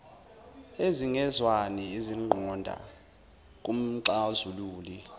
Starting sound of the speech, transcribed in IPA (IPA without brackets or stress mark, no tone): e